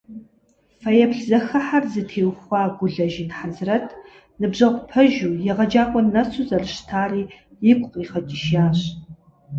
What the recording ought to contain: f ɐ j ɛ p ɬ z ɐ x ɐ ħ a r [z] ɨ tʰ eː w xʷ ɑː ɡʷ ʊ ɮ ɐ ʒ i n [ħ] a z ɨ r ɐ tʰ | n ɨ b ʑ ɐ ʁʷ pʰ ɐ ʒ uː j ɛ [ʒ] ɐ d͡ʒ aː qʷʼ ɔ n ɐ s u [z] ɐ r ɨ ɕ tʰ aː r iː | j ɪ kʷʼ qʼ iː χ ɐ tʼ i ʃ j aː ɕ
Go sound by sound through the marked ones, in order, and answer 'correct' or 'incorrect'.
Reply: correct, correct, incorrect: ʁ, correct

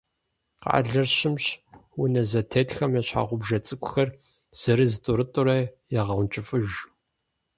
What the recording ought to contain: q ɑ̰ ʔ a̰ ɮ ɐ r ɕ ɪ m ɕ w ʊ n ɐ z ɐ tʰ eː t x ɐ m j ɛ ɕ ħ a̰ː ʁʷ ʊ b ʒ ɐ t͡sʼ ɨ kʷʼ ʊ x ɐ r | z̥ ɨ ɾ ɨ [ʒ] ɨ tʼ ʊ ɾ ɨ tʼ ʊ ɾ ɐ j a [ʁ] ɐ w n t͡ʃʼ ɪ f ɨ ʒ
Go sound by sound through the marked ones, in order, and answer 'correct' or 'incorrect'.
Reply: incorrect: z, correct

